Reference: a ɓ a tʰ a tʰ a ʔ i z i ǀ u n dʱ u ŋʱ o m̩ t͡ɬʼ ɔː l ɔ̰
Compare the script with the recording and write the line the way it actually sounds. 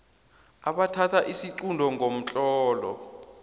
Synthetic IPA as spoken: a ɓ a tʰ a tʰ a ʔ i s i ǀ u n dʱ ɔ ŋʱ o m̩ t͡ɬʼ ɔː l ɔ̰